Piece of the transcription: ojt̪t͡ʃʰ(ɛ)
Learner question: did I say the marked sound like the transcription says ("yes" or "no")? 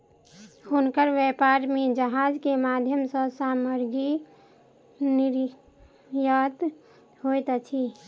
no